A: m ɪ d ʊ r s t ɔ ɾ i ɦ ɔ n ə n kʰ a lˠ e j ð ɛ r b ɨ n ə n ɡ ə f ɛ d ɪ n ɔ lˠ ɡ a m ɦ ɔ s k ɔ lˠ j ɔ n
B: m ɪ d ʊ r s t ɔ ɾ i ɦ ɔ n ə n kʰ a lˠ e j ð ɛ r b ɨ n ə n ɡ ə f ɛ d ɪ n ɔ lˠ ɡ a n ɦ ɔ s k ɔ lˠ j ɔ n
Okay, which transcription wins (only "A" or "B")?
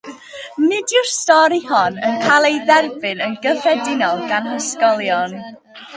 B